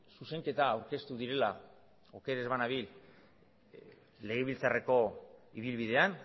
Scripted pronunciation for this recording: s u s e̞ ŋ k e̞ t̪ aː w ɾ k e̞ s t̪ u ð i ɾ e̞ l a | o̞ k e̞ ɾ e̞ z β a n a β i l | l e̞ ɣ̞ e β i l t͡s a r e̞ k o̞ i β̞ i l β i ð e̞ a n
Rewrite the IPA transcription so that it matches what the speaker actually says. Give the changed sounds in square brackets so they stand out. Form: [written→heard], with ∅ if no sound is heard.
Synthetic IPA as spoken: s u s e̞ ŋ k e̞ t̪ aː w ɾ k e̞ s t̪ u ð i ɾ e̞ l a | o̞ k e̞ ɾ e̞ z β a n a β i l | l e̞ ɣ̞ e β i l t͡s a r e̞ k o̞ i β̞ i l β i ð e̞ a n